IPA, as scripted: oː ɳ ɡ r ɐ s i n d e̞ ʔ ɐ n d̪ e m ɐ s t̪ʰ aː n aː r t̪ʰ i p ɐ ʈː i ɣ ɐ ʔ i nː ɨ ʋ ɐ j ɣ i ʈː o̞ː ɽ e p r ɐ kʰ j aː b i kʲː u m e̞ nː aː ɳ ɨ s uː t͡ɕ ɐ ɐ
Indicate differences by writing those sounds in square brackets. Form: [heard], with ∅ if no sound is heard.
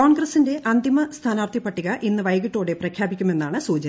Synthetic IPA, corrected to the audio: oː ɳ ɡ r ɐ s i n d e̞ ʔ ɐ n d̪ [i] m ɐ s t̪ʰ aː n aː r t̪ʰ i p ɐ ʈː i ɣ ɐ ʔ i nː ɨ ʋ ɐ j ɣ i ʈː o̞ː ɽ e p r ɐ kʰ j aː b i kʲː u m e̞ nː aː ɳ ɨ s uː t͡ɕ ɐ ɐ